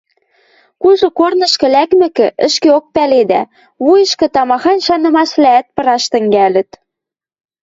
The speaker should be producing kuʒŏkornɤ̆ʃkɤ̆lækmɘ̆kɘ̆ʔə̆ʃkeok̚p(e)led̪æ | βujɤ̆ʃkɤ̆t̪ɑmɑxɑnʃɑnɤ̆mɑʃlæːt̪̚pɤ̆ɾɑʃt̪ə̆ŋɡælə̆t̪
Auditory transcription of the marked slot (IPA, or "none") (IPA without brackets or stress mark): æ